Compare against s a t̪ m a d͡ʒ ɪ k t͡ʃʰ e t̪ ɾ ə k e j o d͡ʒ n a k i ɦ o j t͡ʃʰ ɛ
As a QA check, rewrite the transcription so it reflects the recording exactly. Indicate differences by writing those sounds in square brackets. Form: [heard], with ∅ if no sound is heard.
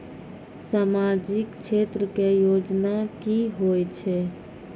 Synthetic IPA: s a [∅] m a d͡ʒ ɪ k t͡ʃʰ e t̪ ɾ ə k e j o d͡ʒ n a k i ɦ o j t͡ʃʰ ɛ